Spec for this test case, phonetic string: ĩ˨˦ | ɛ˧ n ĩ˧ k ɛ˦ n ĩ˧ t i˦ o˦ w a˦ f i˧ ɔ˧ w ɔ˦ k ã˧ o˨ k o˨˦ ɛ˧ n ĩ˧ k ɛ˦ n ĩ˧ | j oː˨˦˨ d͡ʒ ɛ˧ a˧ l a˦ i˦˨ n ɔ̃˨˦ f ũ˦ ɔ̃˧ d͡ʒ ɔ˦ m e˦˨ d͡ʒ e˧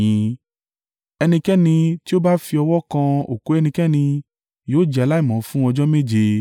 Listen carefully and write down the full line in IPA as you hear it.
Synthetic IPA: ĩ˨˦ | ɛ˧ n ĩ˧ k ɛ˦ n ĩ˧ t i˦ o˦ b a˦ f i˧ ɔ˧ w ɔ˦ k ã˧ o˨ k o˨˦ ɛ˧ n ĩ˧ k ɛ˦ n ĩ˧ | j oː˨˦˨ d͡ʒ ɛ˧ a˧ l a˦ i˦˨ m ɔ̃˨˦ f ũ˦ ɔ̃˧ d͡ʒ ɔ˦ m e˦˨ d͡ʒ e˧